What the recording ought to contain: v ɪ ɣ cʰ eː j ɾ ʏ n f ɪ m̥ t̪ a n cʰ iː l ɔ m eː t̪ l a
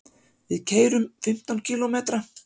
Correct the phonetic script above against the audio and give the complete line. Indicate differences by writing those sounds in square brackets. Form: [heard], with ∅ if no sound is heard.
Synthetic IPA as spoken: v ɪ [ð] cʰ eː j ɾ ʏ [m] f ɪ m̥ t̪ a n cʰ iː l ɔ m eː t̪ [ɾ] a